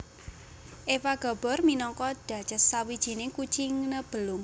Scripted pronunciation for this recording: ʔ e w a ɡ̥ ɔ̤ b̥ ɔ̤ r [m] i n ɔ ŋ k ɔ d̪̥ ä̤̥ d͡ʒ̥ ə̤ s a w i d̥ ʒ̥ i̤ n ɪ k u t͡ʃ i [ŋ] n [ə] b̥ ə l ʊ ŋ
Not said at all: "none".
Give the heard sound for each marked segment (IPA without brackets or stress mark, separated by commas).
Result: m, ŋ, ə